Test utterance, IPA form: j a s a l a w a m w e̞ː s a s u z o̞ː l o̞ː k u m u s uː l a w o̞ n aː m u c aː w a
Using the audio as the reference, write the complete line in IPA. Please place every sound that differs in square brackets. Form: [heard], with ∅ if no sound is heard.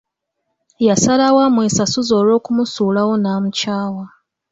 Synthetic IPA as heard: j a s a l a w a m w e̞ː s a s u z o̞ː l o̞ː k u m u s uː l a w o̞ n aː m u c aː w a